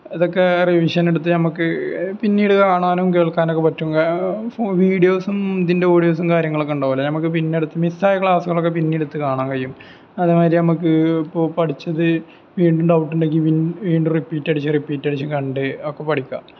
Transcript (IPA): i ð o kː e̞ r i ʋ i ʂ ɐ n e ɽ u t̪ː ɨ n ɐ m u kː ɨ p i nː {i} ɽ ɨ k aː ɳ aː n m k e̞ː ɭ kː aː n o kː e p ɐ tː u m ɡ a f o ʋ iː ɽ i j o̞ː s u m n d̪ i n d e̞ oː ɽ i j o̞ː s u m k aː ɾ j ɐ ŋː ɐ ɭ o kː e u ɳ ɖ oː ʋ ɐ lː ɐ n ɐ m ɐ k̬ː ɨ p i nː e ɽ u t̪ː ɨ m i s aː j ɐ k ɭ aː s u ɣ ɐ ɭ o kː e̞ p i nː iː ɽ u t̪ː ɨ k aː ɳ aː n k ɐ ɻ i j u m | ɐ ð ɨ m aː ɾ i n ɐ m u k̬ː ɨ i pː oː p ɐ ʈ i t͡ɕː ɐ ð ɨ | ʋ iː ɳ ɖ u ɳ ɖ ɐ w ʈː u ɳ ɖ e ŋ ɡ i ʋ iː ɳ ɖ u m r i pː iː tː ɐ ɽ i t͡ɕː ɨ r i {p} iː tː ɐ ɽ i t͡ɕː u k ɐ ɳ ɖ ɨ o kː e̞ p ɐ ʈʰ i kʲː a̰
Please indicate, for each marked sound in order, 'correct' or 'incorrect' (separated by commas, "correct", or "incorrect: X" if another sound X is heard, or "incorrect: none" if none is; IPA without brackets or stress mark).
incorrect: iː, correct